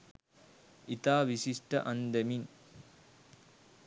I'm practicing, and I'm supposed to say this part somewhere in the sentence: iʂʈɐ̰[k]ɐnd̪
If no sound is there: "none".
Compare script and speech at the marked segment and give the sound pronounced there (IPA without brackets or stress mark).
ʔ